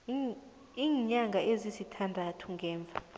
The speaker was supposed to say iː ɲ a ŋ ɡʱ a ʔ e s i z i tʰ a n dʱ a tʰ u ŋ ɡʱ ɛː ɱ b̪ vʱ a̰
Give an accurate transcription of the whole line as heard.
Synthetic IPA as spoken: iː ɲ a ŋ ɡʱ a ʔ e z i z i tʰ a n dʱ a tʰ u ŋ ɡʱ ɛː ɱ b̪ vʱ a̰